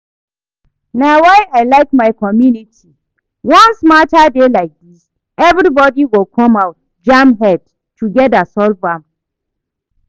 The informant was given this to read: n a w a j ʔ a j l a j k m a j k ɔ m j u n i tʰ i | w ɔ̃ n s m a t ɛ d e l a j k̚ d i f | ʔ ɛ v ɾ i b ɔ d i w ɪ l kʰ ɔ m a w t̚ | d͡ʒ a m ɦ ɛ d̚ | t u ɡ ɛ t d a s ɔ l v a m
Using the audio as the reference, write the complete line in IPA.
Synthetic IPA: n a w a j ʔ a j l a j k m a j k ɔ m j u n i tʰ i | w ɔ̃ n s m a t a d e l a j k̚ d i s | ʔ ɛ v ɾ i b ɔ d i w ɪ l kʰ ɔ m a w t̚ | d͡ʒ a m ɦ ɛ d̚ | t u ɡ ɛ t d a s ɔ l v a m